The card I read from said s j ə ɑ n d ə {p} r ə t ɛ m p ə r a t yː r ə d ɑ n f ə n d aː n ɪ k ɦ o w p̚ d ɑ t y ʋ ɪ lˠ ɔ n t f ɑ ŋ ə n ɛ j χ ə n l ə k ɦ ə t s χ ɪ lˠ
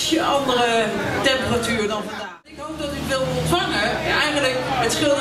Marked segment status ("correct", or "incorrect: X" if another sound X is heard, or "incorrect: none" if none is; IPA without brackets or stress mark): incorrect: none